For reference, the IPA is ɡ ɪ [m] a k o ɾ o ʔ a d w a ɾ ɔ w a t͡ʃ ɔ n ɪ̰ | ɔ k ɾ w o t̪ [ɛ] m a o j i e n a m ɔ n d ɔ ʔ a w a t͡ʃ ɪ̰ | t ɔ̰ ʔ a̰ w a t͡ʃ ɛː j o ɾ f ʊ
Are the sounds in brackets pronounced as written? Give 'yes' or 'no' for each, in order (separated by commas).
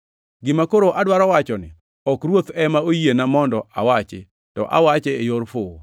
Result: yes, yes